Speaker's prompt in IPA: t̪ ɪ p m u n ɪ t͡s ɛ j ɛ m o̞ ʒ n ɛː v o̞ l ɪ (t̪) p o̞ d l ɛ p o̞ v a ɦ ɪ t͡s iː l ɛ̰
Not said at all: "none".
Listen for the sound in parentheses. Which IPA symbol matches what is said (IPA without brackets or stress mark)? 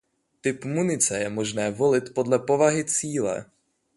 t̪